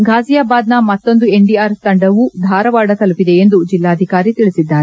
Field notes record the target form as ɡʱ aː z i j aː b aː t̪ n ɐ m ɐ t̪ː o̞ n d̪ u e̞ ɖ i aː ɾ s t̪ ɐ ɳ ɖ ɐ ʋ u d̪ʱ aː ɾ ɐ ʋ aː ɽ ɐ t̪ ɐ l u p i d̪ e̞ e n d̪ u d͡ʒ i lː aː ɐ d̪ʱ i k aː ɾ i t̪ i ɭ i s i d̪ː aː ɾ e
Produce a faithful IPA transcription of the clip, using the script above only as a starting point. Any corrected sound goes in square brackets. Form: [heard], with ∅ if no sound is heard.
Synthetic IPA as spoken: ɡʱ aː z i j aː b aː [d̪] n ɐ m ɐ t̪ː o̞ n d̪ u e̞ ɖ i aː ɾ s t̪ ɐ ɳ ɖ ɐ ʋ u d̪ʱ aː ɾ ɐ ʋ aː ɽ ɐ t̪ ɐ l u p i d̪ e̞ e n d̪ u d͡ʒ i lː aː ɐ d̪ʱ i k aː ɾ i t̪ i ɭ i s i d̪ː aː ɾ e

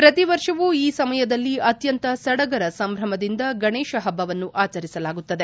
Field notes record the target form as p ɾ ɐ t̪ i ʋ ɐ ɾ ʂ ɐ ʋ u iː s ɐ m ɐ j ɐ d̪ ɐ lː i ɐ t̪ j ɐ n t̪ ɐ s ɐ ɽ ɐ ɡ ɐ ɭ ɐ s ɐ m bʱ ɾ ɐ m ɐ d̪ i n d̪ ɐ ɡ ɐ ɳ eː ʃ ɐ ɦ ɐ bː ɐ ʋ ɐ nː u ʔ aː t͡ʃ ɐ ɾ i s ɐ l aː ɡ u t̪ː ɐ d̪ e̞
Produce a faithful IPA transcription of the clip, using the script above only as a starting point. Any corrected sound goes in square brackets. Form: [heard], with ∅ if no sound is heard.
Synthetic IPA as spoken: p ɾ ɐ t̪ i ʋ ɐ ɾ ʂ ɐ ʋ u iː s ɐ m ɐ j ɐ d̪ ɐ lː i ɐ t̪ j ɐ n t̪ ɐ s ɐ ɽ ɐ ɡ ɐ [ɾ] ɐ s ɐ m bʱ ɾ ɐ m ɐ d̪ i n d̪ ɐ ɡ ɐ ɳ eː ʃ ɐ ɦ ɐ bː ɐ ʋ ɐ nː u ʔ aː t͡ʃ ɐ ɾ i s ɐ l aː ɡ u t̪ː ɐ d̪ e̞

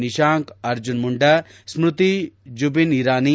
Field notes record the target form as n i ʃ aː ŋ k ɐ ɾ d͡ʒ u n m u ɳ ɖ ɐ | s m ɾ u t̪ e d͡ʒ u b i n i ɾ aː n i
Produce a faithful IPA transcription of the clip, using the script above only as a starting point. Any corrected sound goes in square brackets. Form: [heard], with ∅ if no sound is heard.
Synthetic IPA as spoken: n i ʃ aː ŋ k ɐ ɾ d͡ʒ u n m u ɳ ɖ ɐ | s m ɾ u t̪ [i] d͡ʒ u b i n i ɾ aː n i

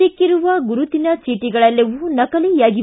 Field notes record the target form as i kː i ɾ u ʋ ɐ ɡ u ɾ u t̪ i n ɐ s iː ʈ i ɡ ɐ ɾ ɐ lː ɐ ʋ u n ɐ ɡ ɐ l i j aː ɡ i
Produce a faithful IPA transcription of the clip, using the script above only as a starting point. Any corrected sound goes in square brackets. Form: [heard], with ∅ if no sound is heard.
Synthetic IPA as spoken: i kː i ɾ u ʋ ɐ ɡ u ɾ u t̪ i n ɐ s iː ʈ i ɡ ɐ [ɭ] ɐ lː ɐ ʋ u n ɐ [k] ɐ l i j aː ɡ i

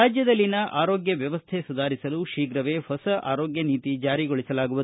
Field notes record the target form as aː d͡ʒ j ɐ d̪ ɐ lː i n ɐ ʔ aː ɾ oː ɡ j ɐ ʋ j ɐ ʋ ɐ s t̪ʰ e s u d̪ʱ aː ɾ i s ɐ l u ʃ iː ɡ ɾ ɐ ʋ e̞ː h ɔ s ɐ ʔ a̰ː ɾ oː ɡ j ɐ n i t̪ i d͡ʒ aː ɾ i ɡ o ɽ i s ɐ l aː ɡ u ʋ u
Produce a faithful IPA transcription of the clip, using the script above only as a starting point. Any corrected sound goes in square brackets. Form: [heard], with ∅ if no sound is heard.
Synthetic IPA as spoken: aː d͡ʒ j ɐ d̪ ɐ lː i n ɐ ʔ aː ɾ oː ɡ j ɐ ʋ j ɐ ʋ ɐ s t̪ʰ e s u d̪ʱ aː ɾ i s ɐ l u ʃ iː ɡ ɾ ɐ ʋ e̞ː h ɔ s ɐ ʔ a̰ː ɾ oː ɡ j ɐ n [iː] t̪ i d͡ʒ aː ɾ i ɡ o [ɭ] i s ɐ l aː ɡ u ʋ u

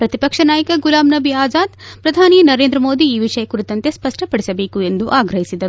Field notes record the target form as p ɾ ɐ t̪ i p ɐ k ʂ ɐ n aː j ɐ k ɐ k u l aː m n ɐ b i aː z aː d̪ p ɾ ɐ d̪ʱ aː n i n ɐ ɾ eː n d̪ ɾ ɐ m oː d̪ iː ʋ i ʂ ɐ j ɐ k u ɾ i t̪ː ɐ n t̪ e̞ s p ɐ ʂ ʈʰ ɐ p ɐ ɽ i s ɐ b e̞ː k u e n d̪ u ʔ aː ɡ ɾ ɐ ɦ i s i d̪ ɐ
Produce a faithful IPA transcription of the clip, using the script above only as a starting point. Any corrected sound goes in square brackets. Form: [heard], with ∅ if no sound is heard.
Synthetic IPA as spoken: p ɾ ɐ t̪ i p ɐ k ʂ ɐ n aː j ɐ k ɐ [ɡ] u l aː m n ɐ b i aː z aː d̪ p ɾ ɐ d̪ʱ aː n i n ɐ ɾ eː n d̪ ɾ ɐ m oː d̪ iː ʋ i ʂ ɐ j ɐ k u ɾ i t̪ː ɐ n t̪ e̞ s p ɐ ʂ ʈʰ ɐ p ɐ ɽ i s ɐ b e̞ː k u e n d̪ u ʔ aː ɡ ɾ ɐ ɦ i s i d̪ ɐ

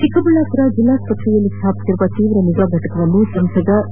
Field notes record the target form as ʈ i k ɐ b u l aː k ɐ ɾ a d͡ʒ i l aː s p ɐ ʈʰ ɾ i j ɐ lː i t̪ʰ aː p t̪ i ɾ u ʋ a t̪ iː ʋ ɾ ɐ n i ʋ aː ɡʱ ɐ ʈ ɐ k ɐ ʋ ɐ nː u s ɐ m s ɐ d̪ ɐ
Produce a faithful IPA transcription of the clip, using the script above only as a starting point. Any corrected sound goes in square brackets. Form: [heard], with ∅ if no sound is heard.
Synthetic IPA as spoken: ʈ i k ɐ b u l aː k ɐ ɾ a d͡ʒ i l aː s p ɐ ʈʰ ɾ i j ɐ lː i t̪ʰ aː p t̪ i ɾ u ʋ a t̪ iː ʋ ɾ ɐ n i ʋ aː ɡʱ ɐ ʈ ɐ k ɐ ʋ ɐ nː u s ɐ m s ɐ d̪ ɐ

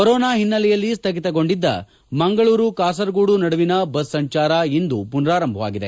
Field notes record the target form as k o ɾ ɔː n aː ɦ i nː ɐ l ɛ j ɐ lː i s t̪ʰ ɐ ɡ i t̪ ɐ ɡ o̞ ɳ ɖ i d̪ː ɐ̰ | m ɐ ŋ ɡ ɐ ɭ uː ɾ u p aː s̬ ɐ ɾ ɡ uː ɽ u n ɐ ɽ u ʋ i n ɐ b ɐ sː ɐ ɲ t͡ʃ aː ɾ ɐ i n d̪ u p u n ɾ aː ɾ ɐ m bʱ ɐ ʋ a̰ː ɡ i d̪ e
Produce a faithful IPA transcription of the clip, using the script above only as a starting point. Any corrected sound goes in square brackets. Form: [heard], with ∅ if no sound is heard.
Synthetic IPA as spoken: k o ɾ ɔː n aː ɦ i nː ɐ l ɛ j ɐ lː i s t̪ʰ ɐ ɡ i t̪ ɐ ɡ o̞ ɳ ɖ i d̪ː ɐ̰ | m ɐ ŋ ɡ ɐ ɭ uː ɾ u [k] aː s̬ ɐ ɾ ɡ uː ɽ u n ɐ ɽ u ʋ i n ɐ b ɐ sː ɐ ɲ t͡ʃ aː ɾ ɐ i n d̪ u p u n ɾ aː ɾ ɐ m bʱ ɐ ʋ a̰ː ɡ i d̪ e

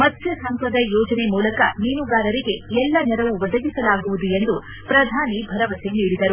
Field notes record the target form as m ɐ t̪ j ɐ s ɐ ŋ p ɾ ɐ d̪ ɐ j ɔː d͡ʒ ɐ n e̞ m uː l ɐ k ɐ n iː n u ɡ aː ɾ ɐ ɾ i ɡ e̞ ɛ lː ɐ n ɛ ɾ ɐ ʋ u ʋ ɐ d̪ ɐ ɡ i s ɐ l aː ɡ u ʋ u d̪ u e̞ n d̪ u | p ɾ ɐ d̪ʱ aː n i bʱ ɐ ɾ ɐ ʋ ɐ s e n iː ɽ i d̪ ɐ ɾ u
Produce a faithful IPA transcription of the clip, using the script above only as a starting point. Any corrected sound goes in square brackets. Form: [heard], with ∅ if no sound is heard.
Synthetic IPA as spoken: m ɐ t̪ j ɐ s ɐ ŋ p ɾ ɐ d̪ ɐ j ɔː d͡ʒ ɐ n e̞ m uː l ɐ k ɐ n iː n u ɡ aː ɾ ɐ ɾ i ɡ e̞ ɛ lː ɐ n ɛ ɾ ɐ ʋ u ʋ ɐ d̪ ɐ ɡ i s ɐ l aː ɡ u ʋ u d̪ u e̞ n d̪ u | p ɾ ɐ d̪ʱ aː n i bʱ ɐ ɾ ɐ ʋ ɐ s e n iː ɽ i d̪ ɐ ɾ u

